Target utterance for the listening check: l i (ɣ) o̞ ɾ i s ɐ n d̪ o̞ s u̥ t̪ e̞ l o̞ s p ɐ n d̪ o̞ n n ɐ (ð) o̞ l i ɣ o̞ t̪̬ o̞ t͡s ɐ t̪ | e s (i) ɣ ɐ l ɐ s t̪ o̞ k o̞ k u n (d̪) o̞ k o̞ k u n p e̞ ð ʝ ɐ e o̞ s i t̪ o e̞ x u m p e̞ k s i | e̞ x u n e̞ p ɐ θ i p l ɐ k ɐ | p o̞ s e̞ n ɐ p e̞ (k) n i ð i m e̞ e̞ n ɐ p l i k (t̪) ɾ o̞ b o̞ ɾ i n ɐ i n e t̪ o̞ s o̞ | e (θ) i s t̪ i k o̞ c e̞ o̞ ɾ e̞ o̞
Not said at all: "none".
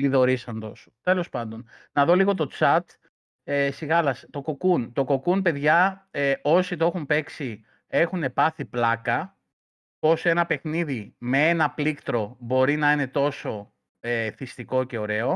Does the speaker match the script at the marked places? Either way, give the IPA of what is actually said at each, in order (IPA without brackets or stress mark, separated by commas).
ð, ð, i, t̪, x, t̪, θ